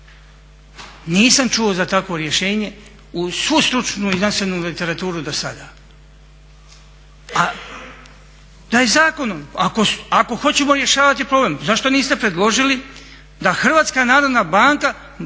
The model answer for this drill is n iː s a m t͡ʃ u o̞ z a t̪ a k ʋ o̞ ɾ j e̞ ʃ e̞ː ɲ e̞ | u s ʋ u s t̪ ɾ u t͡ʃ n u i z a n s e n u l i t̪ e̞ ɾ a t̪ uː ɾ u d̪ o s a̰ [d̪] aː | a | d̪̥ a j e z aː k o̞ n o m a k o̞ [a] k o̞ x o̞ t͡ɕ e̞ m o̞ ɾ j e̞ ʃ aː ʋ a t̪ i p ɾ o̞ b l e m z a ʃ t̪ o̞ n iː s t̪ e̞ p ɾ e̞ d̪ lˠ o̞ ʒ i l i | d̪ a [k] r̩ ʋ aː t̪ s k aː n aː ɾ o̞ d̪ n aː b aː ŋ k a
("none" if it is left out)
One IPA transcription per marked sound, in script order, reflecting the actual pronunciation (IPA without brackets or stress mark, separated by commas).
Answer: d̪, a, x